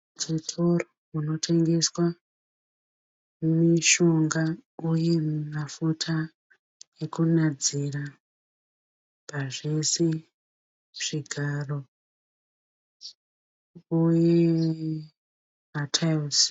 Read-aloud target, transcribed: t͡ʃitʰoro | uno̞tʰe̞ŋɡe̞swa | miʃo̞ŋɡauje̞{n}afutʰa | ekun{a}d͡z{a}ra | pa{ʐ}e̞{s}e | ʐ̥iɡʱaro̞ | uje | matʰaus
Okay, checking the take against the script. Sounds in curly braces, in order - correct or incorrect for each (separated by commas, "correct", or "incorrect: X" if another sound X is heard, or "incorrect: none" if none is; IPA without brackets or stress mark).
incorrect: m, correct, incorrect: i, correct, correct